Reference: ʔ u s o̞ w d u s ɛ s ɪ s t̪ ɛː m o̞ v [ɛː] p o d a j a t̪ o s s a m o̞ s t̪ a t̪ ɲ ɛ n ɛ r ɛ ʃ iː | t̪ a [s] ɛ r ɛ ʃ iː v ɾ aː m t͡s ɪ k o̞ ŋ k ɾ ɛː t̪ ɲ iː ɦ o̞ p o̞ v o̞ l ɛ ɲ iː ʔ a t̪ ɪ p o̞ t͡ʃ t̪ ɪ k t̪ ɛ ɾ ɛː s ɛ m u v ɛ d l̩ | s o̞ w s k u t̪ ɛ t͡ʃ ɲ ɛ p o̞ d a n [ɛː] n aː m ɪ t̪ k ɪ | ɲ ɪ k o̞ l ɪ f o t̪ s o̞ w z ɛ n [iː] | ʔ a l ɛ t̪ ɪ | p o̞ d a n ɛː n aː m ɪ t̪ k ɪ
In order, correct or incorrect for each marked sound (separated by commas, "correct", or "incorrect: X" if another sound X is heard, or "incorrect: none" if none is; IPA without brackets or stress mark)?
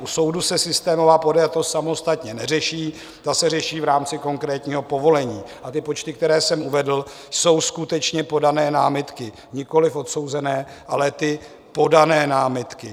incorrect: aː, correct, correct, incorrect: ɛː